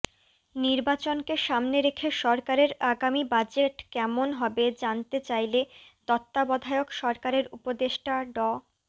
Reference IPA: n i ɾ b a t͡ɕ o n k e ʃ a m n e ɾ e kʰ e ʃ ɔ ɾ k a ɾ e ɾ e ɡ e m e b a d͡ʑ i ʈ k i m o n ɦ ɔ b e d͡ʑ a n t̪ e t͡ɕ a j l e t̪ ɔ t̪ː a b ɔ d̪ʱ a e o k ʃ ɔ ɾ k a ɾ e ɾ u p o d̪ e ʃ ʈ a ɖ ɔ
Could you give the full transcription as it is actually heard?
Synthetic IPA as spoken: n i ɾ b a t͡ɕ o n k e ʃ a m n e ɾ e kʰ e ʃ ɔ ɾ k a ɾ e ɾ a ɡ a m i b a d͡ʑ e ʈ k ɛ m o n ɦ ɔ b e d͡ʑ a n t̪ e t͡ɕ a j l e t̪ ɔ t̪ː a b ɔ d̪ʱ a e o k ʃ ɔ ɾ k a ɾ e ɾ u p o d̪ e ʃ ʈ a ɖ ɔ